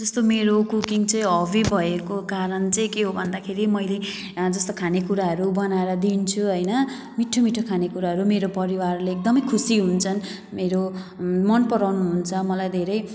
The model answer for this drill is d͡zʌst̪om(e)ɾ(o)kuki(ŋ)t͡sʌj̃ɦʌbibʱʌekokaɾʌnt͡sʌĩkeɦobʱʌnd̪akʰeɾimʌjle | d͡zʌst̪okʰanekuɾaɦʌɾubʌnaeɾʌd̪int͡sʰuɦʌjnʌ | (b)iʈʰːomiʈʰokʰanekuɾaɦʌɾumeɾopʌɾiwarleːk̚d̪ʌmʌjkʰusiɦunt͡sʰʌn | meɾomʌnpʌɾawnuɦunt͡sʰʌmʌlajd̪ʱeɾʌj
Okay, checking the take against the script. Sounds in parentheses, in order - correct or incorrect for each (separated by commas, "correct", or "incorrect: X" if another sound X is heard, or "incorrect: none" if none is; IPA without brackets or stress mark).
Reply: correct, correct, correct, incorrect: m